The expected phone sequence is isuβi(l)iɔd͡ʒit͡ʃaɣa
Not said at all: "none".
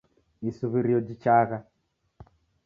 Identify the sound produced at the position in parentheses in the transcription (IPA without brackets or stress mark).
ɾ